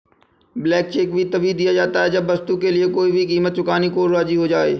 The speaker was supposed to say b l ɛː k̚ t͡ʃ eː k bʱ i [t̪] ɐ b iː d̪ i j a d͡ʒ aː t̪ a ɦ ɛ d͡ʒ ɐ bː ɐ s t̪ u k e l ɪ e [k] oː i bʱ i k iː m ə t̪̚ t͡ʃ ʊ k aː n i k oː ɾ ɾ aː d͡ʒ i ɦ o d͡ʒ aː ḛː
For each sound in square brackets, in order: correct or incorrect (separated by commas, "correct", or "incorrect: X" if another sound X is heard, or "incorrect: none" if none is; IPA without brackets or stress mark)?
correct, correct